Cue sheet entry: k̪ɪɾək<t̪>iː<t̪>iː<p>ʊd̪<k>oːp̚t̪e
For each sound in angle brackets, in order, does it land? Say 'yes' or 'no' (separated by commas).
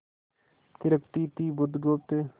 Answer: yes, yes, no, no